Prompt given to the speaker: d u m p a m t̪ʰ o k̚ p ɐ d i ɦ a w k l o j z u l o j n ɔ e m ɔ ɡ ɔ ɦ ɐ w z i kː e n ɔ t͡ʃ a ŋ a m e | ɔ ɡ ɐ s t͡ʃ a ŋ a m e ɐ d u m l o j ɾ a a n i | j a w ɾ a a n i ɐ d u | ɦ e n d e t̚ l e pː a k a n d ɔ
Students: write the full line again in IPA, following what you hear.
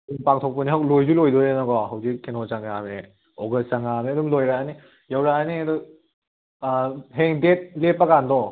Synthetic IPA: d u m p a ŋ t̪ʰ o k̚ p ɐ n i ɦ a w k l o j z u l o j d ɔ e n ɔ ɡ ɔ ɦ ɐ w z i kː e n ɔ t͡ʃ a ŋ a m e | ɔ ɡ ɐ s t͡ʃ a ŋ a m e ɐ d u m l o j ɾ a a n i | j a w ɾ a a n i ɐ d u | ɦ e ŋ d e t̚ l e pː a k a n d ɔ

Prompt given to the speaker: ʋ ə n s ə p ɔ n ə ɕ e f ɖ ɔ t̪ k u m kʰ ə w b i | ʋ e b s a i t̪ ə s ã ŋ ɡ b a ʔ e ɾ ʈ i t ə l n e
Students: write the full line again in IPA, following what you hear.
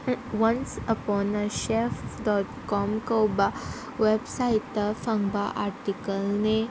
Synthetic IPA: ʋ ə n s ə p ɔ n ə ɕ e f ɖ ɔ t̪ k ɔ m k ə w b a | ʋ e b s a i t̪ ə f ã ŋ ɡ b a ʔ a ɾ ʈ i k ə l n e

